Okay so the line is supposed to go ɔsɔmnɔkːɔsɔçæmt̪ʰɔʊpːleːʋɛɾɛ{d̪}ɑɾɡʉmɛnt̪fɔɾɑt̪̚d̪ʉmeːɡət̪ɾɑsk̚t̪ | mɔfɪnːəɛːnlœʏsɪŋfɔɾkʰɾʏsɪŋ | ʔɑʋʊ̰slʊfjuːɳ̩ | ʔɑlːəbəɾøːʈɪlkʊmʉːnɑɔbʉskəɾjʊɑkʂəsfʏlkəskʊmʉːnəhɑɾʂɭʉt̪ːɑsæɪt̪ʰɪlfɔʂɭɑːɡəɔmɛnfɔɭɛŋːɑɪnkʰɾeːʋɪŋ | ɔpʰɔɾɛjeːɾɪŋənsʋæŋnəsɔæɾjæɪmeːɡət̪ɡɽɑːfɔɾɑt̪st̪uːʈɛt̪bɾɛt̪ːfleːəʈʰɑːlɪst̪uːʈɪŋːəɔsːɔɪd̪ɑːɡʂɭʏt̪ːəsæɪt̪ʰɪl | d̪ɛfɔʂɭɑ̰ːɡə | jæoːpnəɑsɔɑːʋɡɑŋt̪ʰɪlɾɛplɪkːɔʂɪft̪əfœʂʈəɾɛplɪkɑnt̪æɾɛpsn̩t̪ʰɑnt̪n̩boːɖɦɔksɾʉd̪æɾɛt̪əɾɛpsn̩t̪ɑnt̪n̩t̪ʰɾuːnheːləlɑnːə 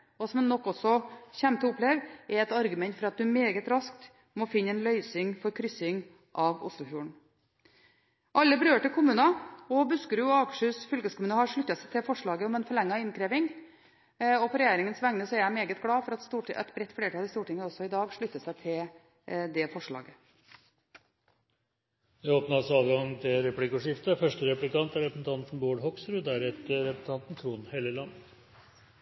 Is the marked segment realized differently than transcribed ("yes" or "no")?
yes